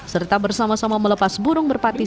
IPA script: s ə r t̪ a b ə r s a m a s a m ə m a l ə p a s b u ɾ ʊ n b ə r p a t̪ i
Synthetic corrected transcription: s ə r t̪ a b ə r s a m a s a m a m ə l ə p a s b u ɾ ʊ ŋ b ə r p a t̪ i